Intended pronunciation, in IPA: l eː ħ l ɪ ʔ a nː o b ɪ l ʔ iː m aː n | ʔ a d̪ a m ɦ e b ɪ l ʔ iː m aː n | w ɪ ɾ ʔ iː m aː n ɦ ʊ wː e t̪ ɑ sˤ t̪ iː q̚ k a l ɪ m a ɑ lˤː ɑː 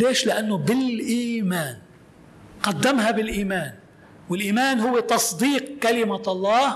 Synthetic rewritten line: l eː ʃ l ɪ ʔ a nː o b ɪ l ʔ iː m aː n | q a d̪ː a m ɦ a b ɪ l ʔ iː m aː n | w ɪ l ʔ iː m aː n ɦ ʊ wː e t̪ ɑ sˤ d̪ iː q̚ k a l ɪ m a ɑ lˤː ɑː

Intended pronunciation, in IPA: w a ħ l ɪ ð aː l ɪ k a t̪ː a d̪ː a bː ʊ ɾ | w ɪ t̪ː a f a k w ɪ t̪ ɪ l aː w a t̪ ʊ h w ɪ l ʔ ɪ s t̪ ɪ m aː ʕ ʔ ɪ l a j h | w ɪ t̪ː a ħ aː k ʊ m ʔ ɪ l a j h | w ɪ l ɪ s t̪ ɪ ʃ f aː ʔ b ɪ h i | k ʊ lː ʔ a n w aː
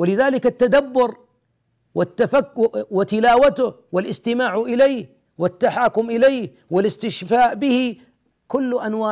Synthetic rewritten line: w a l ɪ ð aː l ɪ k a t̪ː a d̪ a bː ʊ ɾ | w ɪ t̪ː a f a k w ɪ t̪ ɪ l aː w a t̪ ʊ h w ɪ l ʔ ɪ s t̪ ɪ m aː ʕ ʔ ɪ l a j h | w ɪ t̪ː a ħ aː k ʊ m ʔ ɪ l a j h | w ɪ l ɪ s t̪ ɪ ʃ f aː ʔ b ɪ h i | k ʊ lː ʔ a n w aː

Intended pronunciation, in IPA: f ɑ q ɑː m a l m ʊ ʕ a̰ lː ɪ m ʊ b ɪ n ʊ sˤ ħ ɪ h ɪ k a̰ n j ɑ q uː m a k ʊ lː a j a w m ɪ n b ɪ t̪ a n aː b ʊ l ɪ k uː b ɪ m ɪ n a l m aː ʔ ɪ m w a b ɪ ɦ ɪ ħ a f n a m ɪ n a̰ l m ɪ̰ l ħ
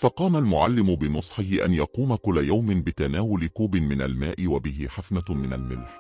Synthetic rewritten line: f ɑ q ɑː m a l m ʊ ʕ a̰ lː ɪ m ʊ b ɪ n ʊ sˤ ħ ɪ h ɪ ʔ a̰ n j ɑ q uː m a k ʊ lː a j a w m ɪ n b ɪ t̪ a n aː w ʊ l ɪ k uː b ɪ m ɪ n a l m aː ʔ ɪ w a b ɪ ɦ ɪ ħ a f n a m ɪ n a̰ l m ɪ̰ l ħ

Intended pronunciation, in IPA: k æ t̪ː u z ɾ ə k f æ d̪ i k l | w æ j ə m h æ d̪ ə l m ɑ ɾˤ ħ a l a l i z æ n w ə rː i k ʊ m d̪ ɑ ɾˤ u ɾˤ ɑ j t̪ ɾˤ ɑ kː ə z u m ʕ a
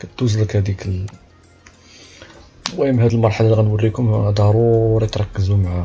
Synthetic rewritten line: k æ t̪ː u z l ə k h æ d̪ i k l | w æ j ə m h æ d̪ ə l m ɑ ɾˤ ħ a l a l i ɣ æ n w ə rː i k ʊ m d̪ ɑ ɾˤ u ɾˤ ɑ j t̪ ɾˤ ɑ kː ə z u m ʕ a

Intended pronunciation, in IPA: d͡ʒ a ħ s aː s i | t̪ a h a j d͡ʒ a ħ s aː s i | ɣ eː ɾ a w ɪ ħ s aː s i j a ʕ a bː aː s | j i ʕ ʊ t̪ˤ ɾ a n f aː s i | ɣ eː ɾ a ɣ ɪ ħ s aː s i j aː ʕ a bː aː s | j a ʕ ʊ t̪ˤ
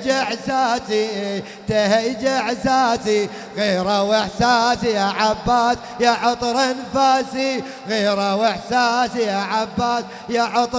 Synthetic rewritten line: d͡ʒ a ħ s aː s i | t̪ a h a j d͡ʒ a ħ s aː s i | ɣ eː ɾ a w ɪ ħ s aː s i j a ʕ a bː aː s | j a ʕ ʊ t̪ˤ ɾ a n f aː s i | ɣ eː ɾ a w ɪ ħ s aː s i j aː ʕ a bː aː s | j a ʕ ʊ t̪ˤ

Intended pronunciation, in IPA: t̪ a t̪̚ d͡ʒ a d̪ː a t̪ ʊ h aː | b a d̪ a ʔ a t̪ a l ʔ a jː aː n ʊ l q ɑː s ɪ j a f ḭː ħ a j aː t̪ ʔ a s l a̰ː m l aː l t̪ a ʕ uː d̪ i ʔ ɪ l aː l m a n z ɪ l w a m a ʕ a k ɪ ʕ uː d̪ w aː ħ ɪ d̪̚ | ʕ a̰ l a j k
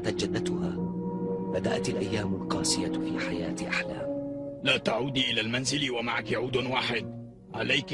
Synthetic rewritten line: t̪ a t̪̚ d͡ʒ a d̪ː a t̪ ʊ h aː | b a d̪ a ʔ a t̪ a l ʔ a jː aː m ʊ l q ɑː s ɪ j a f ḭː ħ a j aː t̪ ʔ a ħ l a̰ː m l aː t̪ a ʕ uː d̪ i ʔ ɪ l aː l m a n z ɪ l w a m a ʕ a k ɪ ʕ uː d̪ w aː ħ ɪ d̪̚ | ʕ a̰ l a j k

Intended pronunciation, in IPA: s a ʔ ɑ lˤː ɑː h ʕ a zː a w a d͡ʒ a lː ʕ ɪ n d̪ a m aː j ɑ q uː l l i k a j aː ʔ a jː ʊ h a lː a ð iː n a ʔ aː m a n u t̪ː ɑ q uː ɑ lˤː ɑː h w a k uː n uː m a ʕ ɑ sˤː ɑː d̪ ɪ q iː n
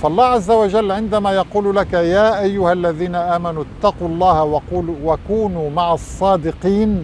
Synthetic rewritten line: f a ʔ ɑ lˤː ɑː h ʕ a zː a w a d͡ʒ a lː ʕ ɪ n d̪ a m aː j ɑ q uː l l a k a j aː ʔ a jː ʊ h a lː a ð iː n a ʔ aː m a n u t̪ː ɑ q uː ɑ lˤː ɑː h w a k uː n uː m a ʕ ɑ sˤː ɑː d̪ ɪ q iː n

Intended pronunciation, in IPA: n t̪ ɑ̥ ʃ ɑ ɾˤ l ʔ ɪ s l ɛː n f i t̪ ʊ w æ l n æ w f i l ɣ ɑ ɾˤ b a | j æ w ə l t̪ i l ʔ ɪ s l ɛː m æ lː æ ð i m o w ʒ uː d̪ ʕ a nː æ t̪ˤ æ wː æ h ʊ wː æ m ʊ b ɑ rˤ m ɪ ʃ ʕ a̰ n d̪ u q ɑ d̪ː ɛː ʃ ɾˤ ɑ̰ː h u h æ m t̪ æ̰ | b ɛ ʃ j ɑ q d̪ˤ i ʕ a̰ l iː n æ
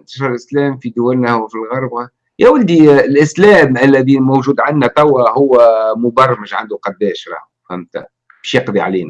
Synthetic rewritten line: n t̪ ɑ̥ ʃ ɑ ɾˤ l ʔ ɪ s l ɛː m f i d̪ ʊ w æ l n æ w f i l ɣ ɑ ɾˤ b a | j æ w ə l d̪ i l ʔ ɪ s l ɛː m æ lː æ ð i m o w ʒ uː d̪ ʕ a nː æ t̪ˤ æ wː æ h ʊ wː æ m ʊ b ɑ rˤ m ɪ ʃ ʕ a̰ n d̪ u q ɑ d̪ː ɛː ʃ ɾˤ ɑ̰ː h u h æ m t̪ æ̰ | b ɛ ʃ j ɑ q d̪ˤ i ʕ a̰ l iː n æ

